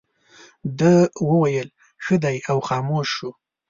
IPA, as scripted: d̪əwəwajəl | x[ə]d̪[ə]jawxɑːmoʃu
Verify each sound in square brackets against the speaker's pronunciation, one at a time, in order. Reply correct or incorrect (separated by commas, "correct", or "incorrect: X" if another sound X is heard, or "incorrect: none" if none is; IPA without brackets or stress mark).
correct, incorrect: a